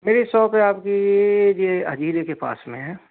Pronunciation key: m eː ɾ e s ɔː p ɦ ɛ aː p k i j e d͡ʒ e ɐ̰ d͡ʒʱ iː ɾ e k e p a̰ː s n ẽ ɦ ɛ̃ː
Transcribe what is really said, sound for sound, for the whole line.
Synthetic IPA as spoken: m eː ɾ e s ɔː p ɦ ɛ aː p k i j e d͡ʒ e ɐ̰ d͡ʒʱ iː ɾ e k e p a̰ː s m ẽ ɦ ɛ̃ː